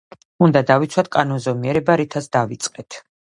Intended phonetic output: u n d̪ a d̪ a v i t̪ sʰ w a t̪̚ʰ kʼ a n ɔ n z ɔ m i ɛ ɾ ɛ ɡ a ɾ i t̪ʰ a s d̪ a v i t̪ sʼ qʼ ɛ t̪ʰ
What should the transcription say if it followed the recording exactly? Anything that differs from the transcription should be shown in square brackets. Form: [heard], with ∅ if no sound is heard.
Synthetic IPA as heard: u n d̪ a d̪ a v i t̪ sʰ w a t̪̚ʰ kʼ a n ɔ n z ɔ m i ɛ ɾ ɛ [b] a ɾ i t̪ʰ a s d̪ a v i t̪ sʼ qʼ ɛ t̪ʰ